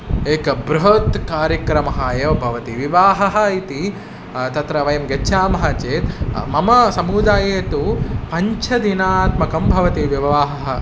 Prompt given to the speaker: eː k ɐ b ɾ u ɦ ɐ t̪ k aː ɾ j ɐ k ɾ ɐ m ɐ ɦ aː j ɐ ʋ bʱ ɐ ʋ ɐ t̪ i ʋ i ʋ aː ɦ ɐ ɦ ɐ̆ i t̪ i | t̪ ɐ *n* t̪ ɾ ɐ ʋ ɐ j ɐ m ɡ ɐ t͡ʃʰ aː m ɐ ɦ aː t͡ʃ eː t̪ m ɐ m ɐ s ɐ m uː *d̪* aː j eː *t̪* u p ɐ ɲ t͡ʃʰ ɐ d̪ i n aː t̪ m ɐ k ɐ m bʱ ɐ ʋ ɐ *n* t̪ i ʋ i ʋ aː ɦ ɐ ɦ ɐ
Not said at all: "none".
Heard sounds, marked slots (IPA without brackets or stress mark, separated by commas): none, d̪, t̪, none